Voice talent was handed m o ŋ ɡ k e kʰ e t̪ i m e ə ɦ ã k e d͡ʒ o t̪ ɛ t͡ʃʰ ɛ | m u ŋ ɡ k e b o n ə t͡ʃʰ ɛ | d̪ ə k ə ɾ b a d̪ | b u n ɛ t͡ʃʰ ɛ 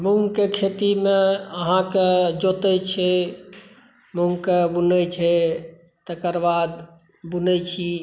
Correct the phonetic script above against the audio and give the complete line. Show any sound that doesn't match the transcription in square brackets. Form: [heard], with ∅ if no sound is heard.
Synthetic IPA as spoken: m [u] ŋ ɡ k e kʰ e t̪ i m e ə ɦ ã k e d͡ʒ o t̪ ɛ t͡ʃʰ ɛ | m u ŋ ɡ k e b [u] n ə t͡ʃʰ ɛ | [t̪] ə k ə ɾ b a d̪ | b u n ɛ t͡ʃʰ [i]